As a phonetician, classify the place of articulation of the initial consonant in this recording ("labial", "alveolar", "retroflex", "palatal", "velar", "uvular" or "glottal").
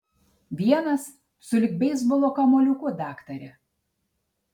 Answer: labial